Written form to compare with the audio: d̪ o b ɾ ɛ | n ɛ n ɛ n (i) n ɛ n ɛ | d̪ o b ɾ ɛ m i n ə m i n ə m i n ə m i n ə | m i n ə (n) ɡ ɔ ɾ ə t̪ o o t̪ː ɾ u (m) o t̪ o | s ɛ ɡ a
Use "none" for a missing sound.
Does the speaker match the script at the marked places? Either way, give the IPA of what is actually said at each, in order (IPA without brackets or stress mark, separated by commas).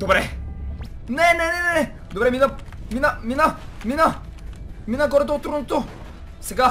ɛ, none, n